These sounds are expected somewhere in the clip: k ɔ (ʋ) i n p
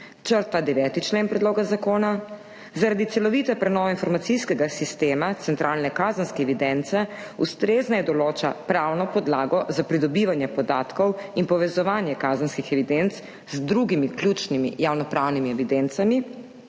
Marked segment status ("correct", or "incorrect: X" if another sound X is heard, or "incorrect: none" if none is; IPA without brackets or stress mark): incorrect: w